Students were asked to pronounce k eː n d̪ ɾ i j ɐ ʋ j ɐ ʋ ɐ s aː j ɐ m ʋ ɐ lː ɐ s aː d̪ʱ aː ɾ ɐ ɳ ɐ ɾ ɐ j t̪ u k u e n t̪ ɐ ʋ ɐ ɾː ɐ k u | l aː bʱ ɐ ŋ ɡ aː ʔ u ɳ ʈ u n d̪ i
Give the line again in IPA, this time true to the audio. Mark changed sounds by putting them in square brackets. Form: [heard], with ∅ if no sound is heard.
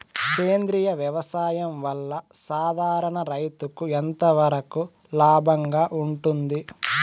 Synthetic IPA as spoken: k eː n d̪ ɾ i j ɐ ʋ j ɐ ʋ ɐ s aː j ɐ m ʋ ɐ lː ɐ s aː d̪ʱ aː ɾ ɐ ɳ ɐ ɾ ɐ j t̪ u k u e n t̪ ɐ ʋ ɐ [ɾ] ɐ k u | l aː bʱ ɐ ŋ ɡ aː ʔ u ɳ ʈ u n d̪ i

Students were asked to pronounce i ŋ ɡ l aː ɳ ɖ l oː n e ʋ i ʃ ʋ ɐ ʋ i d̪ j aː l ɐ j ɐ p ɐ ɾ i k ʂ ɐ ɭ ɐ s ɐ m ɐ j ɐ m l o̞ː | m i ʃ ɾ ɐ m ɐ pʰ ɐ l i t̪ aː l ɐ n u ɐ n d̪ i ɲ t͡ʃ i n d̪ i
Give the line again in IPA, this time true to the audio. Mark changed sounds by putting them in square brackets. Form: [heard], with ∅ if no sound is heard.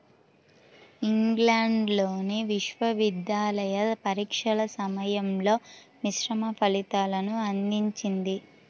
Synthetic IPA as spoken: i ŋ ɡ l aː ɳ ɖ l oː n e ʋ i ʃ ʋ ɐ ʋ i d̪ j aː l ɐ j ɐ p ɐ ɾ [iː] k ʂ ɐ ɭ ɐ s ɐ m ɐ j ɐ m l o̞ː | m i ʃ ɾ ɐ m ɐ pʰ ɐ l i t̪ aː l ɐ n u ɐ n d̪ i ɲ t͡ʃ i n d̪ i

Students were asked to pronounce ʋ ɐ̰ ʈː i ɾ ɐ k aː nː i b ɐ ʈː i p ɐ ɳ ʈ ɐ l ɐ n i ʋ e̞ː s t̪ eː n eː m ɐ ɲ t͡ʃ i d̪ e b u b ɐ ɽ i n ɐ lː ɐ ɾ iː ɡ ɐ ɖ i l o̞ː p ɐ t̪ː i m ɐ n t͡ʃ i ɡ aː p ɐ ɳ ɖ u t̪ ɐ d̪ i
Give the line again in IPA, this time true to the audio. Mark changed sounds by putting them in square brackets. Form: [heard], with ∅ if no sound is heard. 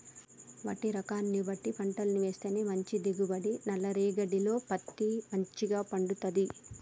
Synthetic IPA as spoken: ʋ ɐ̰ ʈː i ɾ ɐ k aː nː i b ɐ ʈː i p ɐ ɳ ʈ ɐ l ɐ n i ʋ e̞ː s t̪ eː n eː m ɐ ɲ t͡ʃ i d̪ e [ɡ] u b ɐ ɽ i n ɐ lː ɐ ɾ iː ɡ ɐ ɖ i l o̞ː p ɐ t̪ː i m ɐ [ɲ] t͡ʃ i ɡ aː p ɐ ɳ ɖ u t̪ ɐ d̪ i

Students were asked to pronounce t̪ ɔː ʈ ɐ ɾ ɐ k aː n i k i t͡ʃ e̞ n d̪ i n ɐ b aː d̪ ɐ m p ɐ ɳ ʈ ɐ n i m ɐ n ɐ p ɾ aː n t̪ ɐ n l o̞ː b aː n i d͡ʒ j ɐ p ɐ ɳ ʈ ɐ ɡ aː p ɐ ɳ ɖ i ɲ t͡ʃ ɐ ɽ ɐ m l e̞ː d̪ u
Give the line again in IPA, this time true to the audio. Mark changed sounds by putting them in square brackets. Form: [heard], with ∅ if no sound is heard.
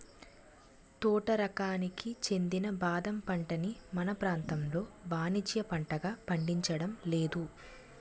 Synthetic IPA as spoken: t̪ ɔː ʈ ɐ ɾ ɐ k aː n i k i t͡ʃ e̞ n d̪ i n ɐ b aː d̪ ɐ m p ɐ ɳ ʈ ɐ n i m ɐ n ɐ p ɾ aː n t̪ ɐ [m] l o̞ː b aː n i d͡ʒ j ɐ p ɐ ɳ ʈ ɐ ɡ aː p ɐ ɳ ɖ i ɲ t͡ʃ ɐ ɽ ɐ m l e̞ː d̪ u

